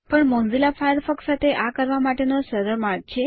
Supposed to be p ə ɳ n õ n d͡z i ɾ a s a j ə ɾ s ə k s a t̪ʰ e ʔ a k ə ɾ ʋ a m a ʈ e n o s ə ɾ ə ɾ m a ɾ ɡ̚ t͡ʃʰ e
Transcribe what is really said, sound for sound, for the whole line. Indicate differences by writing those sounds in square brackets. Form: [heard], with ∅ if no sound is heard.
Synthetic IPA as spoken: p ə ɳ [m] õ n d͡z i [l] a [f] a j ə ɾ [f] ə k s a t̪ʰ e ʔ a k ə ɾ ʋ a m a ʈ e n o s ə ɾ ə ɾ m a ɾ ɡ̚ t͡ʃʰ e